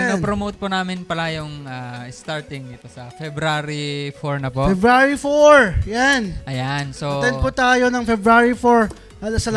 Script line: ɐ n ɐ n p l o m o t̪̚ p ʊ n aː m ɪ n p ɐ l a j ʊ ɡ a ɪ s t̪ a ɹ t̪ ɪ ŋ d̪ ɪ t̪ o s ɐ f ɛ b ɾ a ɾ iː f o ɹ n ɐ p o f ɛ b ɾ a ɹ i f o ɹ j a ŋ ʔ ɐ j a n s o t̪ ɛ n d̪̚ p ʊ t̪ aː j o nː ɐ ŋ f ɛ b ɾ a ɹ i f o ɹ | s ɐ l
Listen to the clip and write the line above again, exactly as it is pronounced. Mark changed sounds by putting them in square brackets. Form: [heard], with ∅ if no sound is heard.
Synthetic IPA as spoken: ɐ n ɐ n p [ɾ] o m o t̪̚ p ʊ n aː m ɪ n p ɐ l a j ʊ [ŋ] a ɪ s t̪ a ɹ t̪ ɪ ŋ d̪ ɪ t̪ o s ɐ f ɛ b ɾ a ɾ [i] f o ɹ n ɐ p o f ɛ b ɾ a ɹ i f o ɹ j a [n] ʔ ɐ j a n s o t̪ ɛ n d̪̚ p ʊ t̪ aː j o [n] ɐ ŋ f ɛ b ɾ a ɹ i f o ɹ | s ɐ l